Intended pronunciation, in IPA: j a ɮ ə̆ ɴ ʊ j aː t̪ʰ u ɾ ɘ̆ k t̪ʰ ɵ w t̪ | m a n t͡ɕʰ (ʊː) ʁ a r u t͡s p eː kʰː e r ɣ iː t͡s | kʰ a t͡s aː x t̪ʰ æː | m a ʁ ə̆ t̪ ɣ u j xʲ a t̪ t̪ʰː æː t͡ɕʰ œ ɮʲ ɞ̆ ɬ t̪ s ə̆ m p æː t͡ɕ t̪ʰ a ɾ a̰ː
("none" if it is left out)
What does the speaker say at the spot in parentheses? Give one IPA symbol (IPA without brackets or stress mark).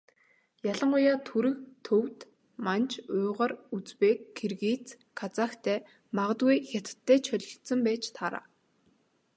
ʊː